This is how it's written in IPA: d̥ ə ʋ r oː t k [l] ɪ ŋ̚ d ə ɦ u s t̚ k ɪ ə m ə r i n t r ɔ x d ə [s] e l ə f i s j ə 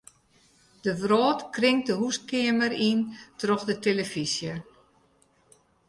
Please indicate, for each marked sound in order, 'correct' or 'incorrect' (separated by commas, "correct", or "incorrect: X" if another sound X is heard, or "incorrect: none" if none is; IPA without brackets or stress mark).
incorrect: r, incorrect: t